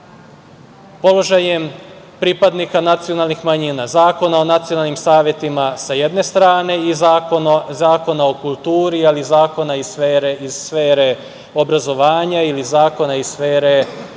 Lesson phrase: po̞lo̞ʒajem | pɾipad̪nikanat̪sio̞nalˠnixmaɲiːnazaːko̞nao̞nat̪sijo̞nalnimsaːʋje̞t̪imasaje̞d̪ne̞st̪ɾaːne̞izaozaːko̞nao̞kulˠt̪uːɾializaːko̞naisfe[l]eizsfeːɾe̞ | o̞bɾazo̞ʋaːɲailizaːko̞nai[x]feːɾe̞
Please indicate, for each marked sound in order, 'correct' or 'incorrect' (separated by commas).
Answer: incorrect, incorrect